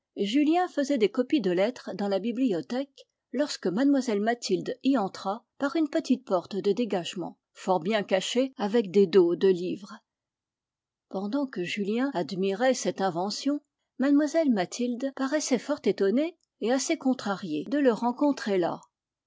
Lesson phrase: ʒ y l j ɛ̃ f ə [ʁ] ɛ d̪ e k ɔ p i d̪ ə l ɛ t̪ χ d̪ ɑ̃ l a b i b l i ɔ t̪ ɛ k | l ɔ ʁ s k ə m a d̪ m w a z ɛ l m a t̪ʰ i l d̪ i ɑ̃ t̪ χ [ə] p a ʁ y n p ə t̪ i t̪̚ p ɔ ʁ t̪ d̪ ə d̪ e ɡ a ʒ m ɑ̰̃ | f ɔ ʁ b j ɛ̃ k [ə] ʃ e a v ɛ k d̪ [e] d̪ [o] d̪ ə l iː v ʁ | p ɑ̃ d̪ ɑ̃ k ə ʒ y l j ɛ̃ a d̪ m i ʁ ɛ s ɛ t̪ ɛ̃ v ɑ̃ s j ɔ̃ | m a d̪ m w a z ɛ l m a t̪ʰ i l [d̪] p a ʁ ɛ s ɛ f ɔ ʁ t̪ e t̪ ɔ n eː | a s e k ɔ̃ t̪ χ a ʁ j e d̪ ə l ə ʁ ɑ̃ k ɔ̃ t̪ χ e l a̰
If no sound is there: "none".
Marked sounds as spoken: z, a, a, e, o, d̪

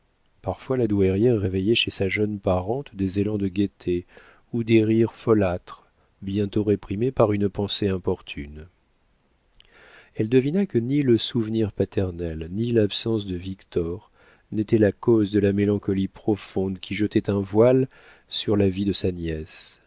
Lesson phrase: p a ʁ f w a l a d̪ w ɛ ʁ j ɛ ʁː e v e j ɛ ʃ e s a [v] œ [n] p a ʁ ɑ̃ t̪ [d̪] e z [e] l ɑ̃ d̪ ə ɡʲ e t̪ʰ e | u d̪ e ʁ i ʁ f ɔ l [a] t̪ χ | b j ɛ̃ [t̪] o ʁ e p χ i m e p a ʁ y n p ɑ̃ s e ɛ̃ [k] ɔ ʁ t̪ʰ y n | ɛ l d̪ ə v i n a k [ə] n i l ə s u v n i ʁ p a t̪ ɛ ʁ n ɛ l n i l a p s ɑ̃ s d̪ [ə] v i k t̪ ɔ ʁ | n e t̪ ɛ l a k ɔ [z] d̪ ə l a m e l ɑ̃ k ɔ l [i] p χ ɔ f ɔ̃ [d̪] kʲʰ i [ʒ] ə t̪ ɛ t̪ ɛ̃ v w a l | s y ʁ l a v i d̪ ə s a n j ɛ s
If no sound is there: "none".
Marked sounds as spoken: ʒ, n, d̪, e, a, t̪, p, ə, ə, z, i, d̪, ʒ

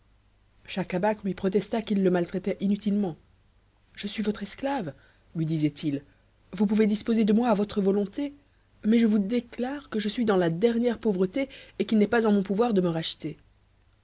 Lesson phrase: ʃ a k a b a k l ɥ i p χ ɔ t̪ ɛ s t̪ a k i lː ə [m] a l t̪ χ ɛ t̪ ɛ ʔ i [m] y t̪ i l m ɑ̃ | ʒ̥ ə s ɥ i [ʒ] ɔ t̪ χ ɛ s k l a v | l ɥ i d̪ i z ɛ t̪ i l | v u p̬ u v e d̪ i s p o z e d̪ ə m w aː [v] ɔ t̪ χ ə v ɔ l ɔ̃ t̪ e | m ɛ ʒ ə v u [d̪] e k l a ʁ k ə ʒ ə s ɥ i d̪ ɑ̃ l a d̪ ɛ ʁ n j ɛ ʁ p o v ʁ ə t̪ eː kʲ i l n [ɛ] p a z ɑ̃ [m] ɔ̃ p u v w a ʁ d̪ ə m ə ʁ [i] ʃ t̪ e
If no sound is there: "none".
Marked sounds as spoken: m, n, v, v, d̪, ɛ, m, a

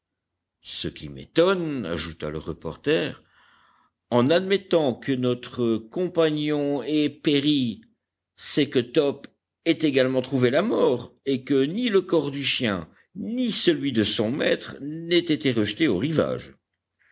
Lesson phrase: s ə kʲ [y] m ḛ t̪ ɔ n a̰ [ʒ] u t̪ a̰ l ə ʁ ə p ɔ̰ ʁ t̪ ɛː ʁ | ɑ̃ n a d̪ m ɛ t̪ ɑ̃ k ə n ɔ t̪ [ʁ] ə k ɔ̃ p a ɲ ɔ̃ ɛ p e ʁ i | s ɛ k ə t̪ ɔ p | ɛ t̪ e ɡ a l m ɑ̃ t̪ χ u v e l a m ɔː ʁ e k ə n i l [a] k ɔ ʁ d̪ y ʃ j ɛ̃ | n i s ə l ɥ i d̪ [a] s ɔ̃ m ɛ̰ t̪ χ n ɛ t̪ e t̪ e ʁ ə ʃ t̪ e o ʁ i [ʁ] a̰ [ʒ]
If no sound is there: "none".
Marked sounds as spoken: i, ʒ, χ, ə, ə, v, ʒ

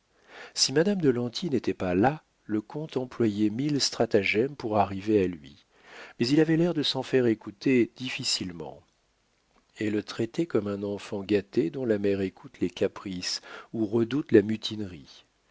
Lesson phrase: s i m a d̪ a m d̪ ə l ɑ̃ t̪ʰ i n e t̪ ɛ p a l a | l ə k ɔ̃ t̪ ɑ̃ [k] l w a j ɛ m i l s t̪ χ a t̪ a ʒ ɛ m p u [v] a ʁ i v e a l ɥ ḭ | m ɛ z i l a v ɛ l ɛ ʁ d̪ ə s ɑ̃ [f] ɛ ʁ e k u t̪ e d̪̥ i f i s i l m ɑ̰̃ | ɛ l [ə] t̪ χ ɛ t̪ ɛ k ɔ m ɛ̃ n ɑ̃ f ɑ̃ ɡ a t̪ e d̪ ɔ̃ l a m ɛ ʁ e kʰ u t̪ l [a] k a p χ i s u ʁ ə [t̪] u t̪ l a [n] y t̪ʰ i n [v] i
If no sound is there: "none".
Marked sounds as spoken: p, ʁ, f, ə, e, d̪, m, ʁ

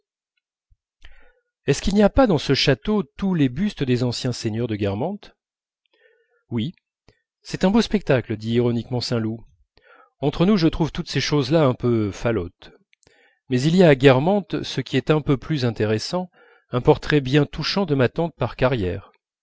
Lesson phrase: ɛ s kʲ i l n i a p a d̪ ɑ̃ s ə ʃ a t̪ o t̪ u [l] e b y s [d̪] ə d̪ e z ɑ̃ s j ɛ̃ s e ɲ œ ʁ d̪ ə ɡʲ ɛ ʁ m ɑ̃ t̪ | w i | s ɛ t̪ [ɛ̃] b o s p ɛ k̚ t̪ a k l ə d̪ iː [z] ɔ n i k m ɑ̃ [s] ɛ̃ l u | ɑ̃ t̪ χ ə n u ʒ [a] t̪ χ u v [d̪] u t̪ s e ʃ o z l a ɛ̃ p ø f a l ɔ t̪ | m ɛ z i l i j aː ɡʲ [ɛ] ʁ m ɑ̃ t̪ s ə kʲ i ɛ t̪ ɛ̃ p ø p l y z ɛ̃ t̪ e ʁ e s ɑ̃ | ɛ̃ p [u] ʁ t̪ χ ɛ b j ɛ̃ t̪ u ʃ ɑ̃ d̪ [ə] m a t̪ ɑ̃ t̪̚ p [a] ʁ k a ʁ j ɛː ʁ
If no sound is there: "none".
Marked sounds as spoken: l, t̪, ɛ̃, ʁ, s, ə, t̪, ɛ, ɔ, ə, a

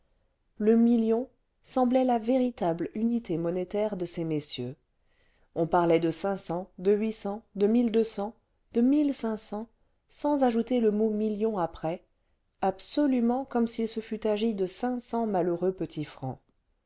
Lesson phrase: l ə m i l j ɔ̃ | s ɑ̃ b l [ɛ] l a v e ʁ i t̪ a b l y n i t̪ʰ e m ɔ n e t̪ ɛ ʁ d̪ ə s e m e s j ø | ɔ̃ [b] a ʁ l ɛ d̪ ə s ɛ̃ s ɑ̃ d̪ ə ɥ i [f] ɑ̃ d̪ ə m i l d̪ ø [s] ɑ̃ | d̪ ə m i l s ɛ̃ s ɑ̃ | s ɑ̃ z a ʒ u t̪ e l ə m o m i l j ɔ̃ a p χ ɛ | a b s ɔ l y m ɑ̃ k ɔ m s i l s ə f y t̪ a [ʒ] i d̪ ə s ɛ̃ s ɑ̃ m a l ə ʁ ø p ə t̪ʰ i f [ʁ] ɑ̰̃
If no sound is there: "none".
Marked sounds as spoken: ɛ, p, s, s, ʒ, χ

